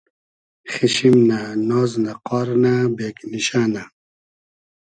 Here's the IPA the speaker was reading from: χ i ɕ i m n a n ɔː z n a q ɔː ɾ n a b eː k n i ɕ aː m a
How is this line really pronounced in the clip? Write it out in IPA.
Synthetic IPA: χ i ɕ i m n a n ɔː z n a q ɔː ɾ n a b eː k n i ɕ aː n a